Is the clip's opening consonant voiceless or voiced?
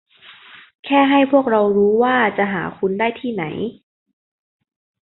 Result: voiceless